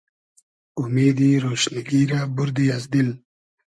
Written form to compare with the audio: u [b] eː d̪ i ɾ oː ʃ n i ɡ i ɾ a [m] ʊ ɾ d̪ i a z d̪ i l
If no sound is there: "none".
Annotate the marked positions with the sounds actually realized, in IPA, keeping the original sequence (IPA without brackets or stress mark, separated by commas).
m, b